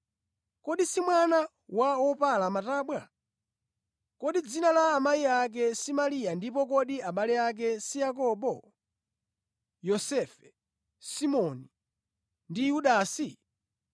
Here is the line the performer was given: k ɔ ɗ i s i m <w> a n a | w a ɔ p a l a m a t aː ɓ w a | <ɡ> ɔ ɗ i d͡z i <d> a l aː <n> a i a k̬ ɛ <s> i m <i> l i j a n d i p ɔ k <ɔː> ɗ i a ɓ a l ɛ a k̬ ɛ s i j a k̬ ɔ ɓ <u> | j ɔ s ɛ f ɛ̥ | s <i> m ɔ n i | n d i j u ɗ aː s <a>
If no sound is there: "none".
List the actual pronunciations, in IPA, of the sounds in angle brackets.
w, k, n, m, s, a, ɔ, ɔ, i, i

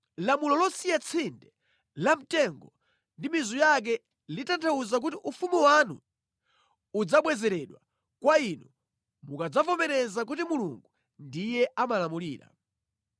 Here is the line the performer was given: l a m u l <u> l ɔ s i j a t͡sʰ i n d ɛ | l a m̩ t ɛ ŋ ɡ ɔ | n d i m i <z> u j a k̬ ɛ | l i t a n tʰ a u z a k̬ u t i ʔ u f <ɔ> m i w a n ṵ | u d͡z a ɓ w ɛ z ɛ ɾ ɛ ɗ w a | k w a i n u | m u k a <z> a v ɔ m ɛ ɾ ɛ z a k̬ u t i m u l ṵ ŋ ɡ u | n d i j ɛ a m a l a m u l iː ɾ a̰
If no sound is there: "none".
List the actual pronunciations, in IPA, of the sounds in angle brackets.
ɔ, z, u, d͡z

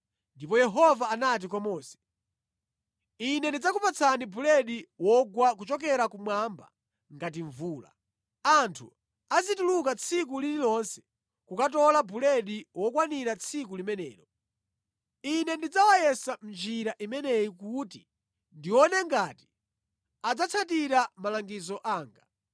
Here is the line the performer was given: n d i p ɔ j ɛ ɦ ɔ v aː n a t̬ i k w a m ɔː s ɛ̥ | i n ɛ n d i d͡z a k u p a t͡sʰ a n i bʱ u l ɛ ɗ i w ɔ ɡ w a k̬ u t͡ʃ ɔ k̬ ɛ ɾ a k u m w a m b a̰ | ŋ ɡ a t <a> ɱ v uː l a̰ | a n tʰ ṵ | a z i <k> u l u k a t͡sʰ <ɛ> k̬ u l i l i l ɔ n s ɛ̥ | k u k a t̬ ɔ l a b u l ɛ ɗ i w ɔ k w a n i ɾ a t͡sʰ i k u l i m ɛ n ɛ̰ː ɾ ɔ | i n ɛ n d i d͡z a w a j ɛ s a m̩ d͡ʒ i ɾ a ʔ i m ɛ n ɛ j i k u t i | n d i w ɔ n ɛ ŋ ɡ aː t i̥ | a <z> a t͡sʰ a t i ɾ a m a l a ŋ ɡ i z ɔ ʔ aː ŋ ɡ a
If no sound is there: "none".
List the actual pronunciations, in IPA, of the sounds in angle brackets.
i, t, i, d͡z

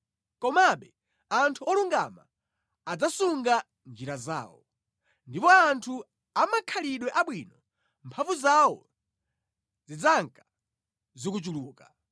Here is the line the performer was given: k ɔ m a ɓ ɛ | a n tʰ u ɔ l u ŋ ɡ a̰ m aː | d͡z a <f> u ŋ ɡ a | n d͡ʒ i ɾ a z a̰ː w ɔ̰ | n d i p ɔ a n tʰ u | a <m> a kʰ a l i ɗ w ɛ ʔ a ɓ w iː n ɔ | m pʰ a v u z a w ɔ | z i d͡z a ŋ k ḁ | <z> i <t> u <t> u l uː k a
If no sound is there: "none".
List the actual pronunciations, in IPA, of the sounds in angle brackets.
s, m, z, k, t͡ʃ

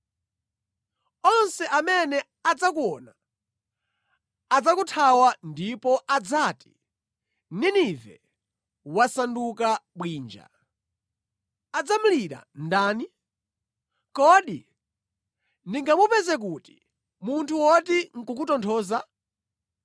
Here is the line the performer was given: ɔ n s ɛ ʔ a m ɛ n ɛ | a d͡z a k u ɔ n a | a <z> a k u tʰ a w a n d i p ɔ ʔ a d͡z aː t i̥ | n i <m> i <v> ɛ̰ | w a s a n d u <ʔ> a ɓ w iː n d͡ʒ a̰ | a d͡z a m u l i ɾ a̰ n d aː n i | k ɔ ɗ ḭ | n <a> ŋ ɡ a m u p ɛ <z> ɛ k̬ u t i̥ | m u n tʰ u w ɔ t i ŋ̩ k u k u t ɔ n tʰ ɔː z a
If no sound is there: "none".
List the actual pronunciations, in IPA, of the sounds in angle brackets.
d͡z, n, v, k, i, z

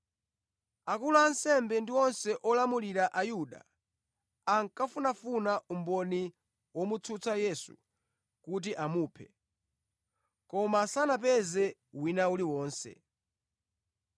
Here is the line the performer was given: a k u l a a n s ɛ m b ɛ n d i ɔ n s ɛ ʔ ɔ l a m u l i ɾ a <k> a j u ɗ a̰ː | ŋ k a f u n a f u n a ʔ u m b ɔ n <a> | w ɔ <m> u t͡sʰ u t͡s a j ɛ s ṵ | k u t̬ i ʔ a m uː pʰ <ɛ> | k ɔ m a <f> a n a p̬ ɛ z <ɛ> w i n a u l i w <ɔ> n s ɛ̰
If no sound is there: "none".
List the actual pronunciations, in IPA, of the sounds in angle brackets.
ʔ, i, m, ɛ, s, ɛ, ɔː

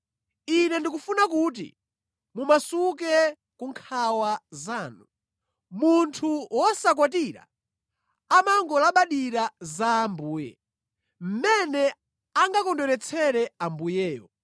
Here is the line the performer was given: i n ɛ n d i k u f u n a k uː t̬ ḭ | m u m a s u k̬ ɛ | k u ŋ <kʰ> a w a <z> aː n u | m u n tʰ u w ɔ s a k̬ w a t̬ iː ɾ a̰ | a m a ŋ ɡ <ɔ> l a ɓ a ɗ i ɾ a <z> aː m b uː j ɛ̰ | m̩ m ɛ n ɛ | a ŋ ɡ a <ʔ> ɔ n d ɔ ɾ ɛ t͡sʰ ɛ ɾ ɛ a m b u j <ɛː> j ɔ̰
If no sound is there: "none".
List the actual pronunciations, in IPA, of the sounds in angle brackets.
kʰ, z, ɔ, z, k, ɛː

